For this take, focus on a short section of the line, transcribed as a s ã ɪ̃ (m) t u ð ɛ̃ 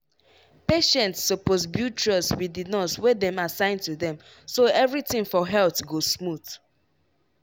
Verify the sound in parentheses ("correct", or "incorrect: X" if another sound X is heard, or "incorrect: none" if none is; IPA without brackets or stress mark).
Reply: incorrect: n